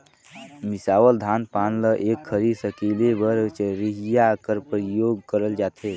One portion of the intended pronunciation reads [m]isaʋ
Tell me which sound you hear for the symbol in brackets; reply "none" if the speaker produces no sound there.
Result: m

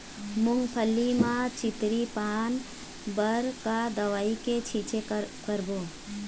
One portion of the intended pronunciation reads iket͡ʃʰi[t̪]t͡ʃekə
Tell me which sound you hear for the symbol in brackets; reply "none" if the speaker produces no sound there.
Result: none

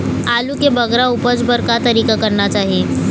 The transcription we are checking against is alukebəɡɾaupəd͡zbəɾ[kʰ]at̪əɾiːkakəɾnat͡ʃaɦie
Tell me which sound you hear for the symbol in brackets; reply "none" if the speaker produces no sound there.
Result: k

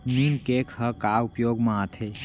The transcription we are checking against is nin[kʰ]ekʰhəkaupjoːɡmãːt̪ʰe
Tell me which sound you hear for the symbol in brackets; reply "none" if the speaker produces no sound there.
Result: k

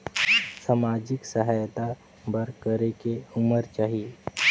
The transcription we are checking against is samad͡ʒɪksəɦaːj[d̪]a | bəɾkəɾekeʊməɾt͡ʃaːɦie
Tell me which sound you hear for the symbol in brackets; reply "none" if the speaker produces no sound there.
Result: t̪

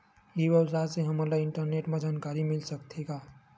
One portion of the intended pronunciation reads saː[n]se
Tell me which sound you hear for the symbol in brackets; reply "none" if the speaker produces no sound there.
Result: none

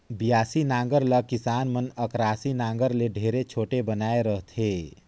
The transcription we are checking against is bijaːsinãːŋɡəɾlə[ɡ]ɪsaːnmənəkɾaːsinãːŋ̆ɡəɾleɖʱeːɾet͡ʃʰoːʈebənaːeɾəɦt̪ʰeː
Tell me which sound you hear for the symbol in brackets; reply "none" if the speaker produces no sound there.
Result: k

